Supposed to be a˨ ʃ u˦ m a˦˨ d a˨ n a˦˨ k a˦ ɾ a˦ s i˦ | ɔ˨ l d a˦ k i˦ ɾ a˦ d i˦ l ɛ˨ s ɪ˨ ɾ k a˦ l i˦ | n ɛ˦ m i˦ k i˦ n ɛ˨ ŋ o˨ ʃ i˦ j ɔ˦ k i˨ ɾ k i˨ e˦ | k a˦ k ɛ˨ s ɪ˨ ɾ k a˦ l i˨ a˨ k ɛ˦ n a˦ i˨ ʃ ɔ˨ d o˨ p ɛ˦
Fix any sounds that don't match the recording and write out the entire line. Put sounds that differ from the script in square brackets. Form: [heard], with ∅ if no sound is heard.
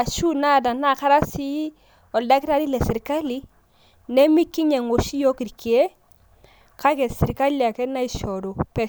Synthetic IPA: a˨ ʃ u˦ [n] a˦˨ d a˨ n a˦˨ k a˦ ɾ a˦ s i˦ | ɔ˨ l d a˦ k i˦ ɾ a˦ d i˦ l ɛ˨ s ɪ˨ ɾ k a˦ l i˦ | n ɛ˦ m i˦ k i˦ [ɲ] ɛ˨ ŋ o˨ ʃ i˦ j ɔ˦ k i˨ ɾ k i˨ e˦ | k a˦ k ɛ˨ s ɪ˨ ɾ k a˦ l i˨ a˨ k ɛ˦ n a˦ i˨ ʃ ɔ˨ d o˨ p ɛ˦